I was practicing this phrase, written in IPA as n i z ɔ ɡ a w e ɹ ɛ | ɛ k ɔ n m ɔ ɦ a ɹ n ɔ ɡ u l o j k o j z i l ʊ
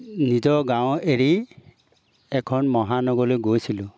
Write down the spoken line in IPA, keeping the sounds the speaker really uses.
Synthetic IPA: n i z ɔ ɡ a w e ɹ i | ɛ kʰ ɔ n m ɔ ɦ a n ɔ ɡ ɔ l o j ɡ o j s i l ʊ